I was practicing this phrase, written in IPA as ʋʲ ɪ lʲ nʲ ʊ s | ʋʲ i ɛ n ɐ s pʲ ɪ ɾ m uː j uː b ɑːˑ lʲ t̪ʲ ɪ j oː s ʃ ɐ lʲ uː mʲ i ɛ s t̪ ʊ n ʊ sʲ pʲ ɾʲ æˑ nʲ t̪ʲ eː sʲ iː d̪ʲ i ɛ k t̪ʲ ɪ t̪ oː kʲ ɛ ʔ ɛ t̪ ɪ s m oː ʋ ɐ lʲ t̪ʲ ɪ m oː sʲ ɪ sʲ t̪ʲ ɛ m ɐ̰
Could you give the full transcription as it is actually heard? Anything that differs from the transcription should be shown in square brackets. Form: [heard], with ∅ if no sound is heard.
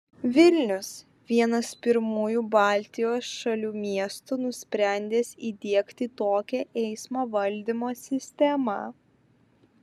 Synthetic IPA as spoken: ʋʲ ɪ lʲ nʲ ʊ s | ʋʲ i ɛ n ɐ s pʲ ɪ ɾ m uː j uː b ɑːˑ lʲ t̪ʲ ɪ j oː s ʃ ɐ lʲ uː mʲ i ɛ s t̪ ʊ n ʊ sʲ pʲ ɾʲ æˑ nʲ [d̪ʲ] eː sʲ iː d̪ʲ i ɛ k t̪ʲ ɪ t̪ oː kʲ ɛ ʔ ɛ [∅] ɪ s m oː ʋ ɐ lʲ [d̪ʲ] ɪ m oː sʲ ɪ sʲ t̪ʲ ɛ m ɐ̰